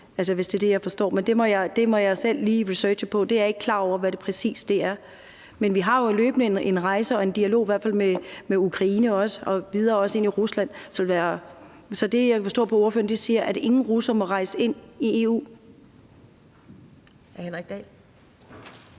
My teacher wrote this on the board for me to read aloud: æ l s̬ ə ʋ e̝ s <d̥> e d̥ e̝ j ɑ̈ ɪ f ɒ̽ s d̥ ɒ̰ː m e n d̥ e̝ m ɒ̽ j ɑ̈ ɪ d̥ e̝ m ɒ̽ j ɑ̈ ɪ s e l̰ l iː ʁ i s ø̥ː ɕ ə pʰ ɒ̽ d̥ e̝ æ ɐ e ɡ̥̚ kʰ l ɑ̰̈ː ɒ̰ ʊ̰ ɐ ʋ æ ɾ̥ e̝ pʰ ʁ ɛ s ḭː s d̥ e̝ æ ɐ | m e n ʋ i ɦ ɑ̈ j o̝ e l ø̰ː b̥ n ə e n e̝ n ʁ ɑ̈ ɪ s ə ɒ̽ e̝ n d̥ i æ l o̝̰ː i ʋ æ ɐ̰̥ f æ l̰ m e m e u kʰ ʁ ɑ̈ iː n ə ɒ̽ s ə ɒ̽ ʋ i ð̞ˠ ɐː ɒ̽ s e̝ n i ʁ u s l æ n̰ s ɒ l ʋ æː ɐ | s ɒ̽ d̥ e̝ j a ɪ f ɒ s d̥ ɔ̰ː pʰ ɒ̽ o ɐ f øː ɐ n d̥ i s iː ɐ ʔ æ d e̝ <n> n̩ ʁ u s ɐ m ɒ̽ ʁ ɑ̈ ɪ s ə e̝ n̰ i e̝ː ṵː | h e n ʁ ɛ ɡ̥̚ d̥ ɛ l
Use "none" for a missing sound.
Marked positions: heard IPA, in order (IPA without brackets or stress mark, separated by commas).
d̥, ŋ